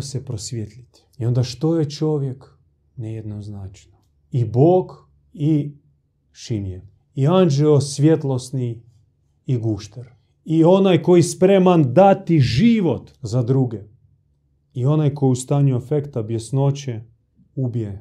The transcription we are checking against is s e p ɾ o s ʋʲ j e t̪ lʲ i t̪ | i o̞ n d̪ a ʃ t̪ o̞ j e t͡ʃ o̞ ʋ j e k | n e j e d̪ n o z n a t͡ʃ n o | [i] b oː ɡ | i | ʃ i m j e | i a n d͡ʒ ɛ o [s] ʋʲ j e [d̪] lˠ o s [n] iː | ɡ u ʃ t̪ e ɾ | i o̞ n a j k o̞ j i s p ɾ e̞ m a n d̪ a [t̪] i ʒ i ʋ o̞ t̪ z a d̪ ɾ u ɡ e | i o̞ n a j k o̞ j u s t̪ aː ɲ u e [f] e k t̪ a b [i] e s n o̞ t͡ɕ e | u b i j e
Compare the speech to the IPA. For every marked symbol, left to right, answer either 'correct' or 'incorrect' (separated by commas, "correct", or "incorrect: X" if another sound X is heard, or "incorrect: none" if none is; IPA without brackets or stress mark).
correct, correct, incorrect: t̪, correct, correct, correct, incorrect: j